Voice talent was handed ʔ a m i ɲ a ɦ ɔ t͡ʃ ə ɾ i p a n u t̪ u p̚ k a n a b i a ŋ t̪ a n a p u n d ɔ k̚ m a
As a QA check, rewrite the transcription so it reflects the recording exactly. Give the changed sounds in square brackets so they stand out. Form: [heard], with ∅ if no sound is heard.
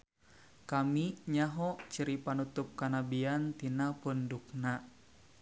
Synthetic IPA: [k] a m i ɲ a ɦ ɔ t͡ʃ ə ɾ i p a n u t̪ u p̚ k a n a b i a [n] t̪ [i] n a p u n d [u] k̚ [n] a